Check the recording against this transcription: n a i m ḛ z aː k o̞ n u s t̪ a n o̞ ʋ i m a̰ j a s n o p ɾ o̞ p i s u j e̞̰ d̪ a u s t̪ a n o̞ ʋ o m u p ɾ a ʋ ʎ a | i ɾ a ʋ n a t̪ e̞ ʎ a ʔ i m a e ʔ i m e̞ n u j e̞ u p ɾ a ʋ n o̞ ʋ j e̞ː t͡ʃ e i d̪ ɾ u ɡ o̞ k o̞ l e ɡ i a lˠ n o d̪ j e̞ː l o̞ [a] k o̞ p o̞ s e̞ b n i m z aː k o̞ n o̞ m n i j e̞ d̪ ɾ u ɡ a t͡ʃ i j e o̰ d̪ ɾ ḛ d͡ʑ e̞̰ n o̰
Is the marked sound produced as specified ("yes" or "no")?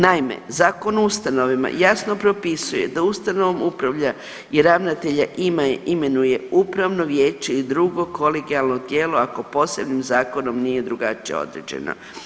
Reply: yes